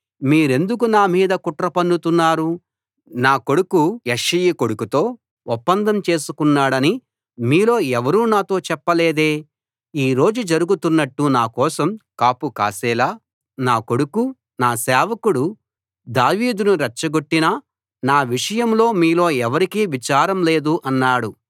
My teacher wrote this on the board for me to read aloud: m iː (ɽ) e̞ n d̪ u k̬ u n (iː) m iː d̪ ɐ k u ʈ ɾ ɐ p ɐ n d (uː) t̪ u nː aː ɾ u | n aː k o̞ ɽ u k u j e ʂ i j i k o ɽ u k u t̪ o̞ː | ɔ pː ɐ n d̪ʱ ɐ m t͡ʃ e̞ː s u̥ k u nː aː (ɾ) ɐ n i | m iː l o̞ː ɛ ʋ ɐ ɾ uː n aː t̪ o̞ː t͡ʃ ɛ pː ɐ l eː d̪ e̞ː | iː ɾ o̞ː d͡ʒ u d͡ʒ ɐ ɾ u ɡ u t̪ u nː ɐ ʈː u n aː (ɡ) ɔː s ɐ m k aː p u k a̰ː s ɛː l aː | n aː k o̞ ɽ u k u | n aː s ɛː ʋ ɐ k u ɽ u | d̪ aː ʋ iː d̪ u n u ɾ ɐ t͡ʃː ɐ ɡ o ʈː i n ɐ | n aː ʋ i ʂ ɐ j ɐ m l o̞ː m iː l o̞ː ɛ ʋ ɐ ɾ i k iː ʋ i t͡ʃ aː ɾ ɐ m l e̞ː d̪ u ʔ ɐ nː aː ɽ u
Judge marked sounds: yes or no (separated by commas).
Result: no, no, no, no, no